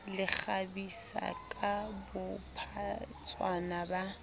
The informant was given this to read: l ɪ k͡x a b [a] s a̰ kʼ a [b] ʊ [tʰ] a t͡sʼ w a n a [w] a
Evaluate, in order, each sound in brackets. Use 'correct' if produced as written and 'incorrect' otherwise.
incorrect, correct, incorrect, incorrect

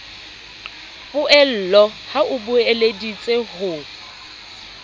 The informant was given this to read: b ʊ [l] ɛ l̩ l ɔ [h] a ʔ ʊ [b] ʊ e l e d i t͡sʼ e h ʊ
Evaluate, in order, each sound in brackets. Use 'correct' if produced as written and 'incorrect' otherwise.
incorrect, correct, correct

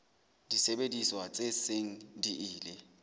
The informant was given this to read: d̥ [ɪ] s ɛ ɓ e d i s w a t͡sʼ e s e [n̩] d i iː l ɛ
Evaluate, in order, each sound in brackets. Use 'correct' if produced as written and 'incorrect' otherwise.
incorrect, incorrect

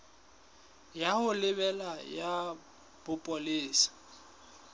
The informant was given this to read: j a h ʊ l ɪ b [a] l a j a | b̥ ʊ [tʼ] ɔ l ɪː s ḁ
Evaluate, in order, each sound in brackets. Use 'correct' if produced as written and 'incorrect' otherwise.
incorrect, incorrect

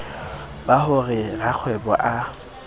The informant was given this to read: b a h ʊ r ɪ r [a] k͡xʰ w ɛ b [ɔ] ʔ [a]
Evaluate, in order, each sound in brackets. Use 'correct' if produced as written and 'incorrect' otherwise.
correct, correct, correct

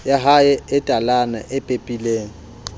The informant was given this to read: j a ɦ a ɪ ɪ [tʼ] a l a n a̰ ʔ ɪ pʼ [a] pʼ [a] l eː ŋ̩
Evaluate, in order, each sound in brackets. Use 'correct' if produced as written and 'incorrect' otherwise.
correct, incorrect, incorrect

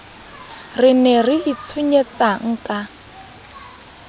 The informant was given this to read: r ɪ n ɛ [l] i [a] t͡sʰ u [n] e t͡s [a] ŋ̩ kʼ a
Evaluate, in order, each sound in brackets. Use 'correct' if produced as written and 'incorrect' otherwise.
incorrect, incorrect, incorrect, correct

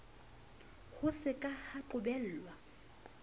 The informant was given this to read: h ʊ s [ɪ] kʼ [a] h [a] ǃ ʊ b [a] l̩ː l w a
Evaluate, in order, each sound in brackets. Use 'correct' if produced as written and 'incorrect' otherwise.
correct, correct, correct, incorrect

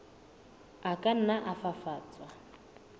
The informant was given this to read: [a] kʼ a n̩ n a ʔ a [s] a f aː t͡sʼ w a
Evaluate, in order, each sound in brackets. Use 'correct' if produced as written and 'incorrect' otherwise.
correct, incorrect

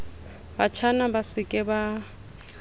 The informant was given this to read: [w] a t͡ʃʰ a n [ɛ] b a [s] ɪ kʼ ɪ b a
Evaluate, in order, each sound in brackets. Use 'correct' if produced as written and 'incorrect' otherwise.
incorrect, incorrect, correct

